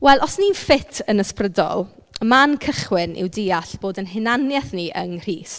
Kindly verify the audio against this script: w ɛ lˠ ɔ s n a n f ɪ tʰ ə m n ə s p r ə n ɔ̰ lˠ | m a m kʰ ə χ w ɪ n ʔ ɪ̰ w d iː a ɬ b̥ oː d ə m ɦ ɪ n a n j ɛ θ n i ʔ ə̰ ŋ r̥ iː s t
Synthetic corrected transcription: w ɛ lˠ ɔ s n i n f ɪ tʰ ə n ə s p r ə d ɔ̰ lˠ | m a n kʰ ə χ w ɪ n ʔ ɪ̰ w d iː a ɬ b̥ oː d ə n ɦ ɪ n a n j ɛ θ n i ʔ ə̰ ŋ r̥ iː s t

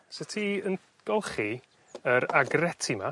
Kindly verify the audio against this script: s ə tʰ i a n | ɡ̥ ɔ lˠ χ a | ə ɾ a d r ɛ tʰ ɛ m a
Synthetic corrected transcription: s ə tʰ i ə n | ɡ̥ ɔ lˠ χ i | ə ɾ a ɡ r ɛ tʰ i m a

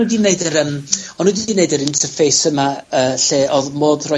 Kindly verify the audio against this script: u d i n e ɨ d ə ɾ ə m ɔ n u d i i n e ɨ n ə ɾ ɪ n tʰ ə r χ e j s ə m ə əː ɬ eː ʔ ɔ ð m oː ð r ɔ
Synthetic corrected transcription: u d i n e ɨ d ə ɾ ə m ɔ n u d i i n e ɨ d ə ɾ ɪ n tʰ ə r f e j s ə m a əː ɬ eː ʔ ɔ ð m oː ð r ɔ

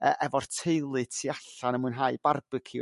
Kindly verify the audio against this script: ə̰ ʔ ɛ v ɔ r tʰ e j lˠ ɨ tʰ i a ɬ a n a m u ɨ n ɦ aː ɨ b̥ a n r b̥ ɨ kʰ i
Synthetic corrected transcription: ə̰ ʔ ɛ v ɔ r tʰ e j lˠ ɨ tʰ i a ɬ a n ə m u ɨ n ɦ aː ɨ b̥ a r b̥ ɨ kʰ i

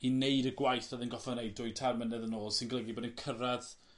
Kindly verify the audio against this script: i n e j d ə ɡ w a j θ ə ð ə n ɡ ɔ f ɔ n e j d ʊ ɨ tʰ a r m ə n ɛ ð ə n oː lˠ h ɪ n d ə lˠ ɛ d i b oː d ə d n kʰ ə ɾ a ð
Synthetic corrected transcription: i n e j d ə ɡ w a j θ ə ð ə n ɡ ɔ f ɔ n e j d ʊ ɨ tʰ a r m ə n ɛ ð ə n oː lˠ s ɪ n ɡ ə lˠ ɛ ɡ i b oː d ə n kʰ ə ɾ a ð

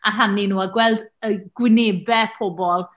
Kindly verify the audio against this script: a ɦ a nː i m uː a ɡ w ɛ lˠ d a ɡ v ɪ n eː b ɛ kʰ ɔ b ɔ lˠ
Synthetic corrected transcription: a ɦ a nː i n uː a ɡ w ɛ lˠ d ə ɡ w ɪ n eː b ɛ pʰ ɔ b ɔ lˠ

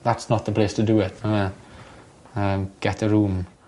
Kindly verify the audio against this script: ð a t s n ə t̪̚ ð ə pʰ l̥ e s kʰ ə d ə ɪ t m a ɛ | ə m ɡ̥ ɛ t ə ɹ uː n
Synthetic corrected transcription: ð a t s n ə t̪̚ ð ə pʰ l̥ e s tʰ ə d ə ɪ t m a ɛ | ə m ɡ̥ ɛ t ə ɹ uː m

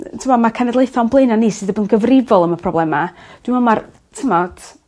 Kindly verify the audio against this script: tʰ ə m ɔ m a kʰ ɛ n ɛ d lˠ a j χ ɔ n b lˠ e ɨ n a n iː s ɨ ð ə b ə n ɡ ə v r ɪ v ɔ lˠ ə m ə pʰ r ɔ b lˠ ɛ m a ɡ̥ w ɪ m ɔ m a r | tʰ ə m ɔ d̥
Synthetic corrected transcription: tʰ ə m ɔ m a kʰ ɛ n ɛ d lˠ e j θ ɔ n b lˠ e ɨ n a n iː s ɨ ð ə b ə n ɡ ə v r ɪ v ɔ lˠ ə m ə pʰ r ɔ b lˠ ɛ m a d̥ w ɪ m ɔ m a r | tʰ ə m ɔ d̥

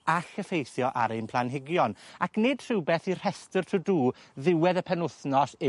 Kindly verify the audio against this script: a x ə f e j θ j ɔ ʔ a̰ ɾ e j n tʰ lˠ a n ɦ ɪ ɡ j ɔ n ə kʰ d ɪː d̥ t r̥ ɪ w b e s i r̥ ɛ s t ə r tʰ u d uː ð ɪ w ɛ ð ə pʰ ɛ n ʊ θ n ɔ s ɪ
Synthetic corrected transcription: a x ə f e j θ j ɔ ʔ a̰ ɾ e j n pʰ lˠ a n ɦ ɪ ɡ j ɔ n a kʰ n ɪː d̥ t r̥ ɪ w b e θ i r̥ ɛ s t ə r tʰ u d uː ð ɪ w ɛ ð ə pʰ ɛ n ʊ θ n ɔ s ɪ

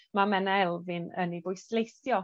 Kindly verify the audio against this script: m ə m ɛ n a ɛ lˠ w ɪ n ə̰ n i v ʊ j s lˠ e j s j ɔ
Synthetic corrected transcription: m a m ɛ n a ɛ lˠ v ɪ n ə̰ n i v ʊ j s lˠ e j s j ɔ

